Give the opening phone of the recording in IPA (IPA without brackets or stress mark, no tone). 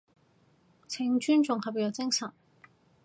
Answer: t͡sʰ